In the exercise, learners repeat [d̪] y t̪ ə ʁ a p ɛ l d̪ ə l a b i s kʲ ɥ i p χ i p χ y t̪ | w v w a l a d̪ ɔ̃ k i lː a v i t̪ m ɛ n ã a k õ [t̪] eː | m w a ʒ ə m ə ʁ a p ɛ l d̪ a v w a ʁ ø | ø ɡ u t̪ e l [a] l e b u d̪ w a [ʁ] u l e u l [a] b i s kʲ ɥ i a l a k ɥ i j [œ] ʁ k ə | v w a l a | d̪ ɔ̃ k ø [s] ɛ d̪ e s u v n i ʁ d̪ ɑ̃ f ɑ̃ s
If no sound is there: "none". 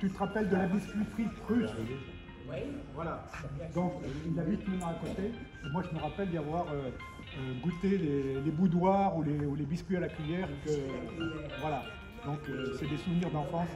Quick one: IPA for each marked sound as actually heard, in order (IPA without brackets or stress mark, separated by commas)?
t̪, t̪, e, ʁ, e, ɛ, s